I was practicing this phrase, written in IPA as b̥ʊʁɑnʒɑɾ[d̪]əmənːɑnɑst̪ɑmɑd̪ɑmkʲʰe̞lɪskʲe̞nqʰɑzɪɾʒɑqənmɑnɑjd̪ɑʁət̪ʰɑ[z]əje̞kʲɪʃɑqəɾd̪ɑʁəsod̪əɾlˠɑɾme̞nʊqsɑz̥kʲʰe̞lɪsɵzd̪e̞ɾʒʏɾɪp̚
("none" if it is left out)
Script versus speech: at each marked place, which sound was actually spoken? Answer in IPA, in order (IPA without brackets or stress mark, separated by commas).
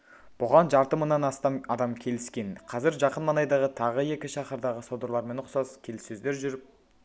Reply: t̪, ʁ